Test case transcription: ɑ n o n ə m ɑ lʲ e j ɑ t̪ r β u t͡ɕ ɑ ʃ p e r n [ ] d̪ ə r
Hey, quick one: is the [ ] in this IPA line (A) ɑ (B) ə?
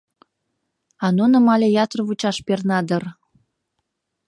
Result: A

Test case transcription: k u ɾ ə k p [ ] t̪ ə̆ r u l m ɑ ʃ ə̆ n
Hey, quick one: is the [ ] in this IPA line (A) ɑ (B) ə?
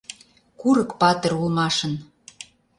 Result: A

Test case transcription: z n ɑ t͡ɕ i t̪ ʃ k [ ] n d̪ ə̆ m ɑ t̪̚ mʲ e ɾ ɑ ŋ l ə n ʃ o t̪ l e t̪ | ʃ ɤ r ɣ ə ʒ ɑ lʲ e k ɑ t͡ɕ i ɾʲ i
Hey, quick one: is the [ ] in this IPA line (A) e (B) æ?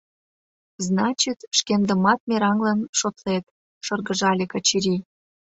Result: A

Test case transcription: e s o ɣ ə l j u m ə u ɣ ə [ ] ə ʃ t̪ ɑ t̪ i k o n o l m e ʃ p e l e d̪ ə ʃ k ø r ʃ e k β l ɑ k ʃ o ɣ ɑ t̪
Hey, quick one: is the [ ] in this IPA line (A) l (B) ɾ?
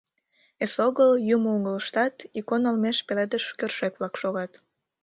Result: A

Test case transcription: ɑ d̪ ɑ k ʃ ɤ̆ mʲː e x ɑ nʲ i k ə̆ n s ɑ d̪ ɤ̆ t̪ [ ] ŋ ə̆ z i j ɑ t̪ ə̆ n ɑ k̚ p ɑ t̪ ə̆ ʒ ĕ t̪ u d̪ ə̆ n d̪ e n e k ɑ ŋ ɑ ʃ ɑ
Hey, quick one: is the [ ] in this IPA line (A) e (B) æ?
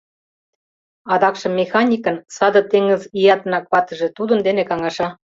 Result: A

